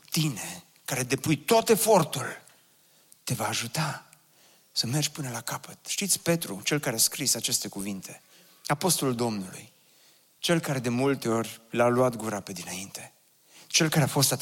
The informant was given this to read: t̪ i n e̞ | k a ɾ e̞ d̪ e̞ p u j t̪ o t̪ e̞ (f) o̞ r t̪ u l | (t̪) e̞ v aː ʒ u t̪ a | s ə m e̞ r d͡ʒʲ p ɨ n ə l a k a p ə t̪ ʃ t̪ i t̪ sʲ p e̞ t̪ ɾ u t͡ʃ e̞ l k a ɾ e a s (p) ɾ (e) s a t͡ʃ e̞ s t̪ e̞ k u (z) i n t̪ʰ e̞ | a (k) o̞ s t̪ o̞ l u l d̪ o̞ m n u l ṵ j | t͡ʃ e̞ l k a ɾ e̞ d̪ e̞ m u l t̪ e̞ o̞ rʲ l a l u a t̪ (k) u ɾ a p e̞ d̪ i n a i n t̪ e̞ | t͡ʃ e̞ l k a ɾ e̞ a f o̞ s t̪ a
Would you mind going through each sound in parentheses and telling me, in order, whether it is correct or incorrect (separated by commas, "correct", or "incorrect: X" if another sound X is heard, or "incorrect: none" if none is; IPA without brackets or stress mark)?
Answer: correct, correct, incorrect: k, incorrect: i, incorrect: v, incorrect: p, incorrect: ɡ